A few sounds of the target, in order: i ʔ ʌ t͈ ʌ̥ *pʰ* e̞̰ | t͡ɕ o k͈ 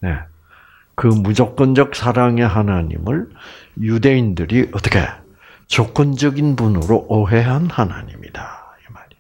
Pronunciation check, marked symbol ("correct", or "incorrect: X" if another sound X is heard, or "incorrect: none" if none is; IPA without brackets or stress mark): incorrect: kʰ